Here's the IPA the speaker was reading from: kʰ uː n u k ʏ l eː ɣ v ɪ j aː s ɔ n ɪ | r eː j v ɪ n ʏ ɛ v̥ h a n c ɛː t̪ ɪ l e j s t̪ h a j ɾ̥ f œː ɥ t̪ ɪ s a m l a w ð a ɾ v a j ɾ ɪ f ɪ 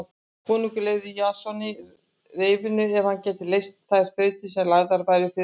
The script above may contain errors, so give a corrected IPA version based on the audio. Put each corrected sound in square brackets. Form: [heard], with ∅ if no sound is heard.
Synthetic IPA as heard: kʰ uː n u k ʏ l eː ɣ [ð] ɪ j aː s ɔ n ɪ | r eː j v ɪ n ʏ ɛ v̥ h a n c ɛː t̪ ɪ l e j s t̪ [θ] a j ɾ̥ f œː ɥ t̪ ɪ s [ɛ] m l a [ɣ] ð a ɾ v a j ɾ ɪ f ɪ